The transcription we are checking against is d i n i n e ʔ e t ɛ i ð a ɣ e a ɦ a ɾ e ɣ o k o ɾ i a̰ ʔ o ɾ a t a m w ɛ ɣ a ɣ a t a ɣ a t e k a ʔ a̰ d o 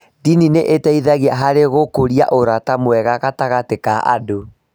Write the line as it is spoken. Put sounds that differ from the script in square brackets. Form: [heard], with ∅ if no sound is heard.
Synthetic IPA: d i n i n e ʔ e t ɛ i ð a ɣ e a ɦ a ɾ e ɣ o k o ɾ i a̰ ʔ o ɾ a t a m w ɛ ɣ a ɣ a t a ɣ a t e k a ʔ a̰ d o